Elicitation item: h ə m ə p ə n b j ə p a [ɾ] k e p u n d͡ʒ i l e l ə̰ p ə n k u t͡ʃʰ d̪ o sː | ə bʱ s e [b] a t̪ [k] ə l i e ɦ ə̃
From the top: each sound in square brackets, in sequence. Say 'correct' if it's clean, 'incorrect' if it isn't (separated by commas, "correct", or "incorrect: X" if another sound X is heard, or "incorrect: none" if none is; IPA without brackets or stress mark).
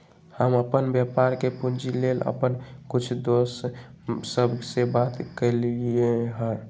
correct, correct, correct